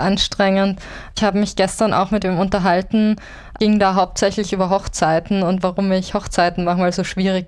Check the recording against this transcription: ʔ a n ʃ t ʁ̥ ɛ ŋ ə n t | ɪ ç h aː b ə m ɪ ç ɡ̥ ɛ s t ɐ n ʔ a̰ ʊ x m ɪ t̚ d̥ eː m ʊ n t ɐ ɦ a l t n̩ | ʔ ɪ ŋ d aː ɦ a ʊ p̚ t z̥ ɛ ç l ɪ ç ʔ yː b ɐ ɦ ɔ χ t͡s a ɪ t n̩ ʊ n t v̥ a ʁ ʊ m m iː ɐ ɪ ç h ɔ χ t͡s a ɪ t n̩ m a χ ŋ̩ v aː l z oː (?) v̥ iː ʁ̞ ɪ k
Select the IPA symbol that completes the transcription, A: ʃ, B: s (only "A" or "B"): A